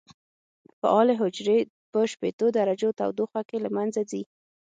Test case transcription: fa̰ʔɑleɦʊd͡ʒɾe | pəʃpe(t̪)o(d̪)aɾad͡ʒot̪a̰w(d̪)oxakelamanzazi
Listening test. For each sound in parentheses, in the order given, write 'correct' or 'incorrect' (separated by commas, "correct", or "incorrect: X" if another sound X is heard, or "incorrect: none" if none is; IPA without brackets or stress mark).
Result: correct, correct, correct